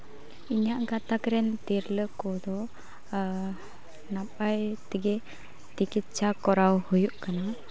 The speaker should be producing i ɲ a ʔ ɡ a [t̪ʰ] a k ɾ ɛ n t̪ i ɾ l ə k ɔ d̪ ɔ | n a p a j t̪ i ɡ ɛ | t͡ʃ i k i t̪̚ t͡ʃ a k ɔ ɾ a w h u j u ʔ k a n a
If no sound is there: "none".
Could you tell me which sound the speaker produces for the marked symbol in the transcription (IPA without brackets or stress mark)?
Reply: t̪